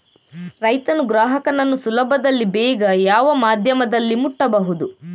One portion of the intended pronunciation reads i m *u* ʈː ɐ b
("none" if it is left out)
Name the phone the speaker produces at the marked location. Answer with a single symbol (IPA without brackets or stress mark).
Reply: u